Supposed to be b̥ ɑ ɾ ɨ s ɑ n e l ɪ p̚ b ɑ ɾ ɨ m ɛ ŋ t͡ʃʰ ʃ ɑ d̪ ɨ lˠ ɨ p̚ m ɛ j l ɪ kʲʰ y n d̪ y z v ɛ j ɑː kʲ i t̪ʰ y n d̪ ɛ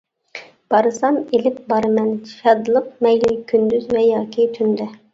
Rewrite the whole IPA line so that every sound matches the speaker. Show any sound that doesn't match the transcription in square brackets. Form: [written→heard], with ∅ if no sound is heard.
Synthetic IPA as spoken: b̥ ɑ ɾ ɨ s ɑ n e l ɪ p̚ b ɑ ɾ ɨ m ɛ [ŋ→n] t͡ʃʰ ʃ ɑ d̪ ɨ lˠ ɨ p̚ m ɛ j l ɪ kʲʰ y n d̪ y z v ɛ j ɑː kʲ i t̪ʰ y n d̪ ɛ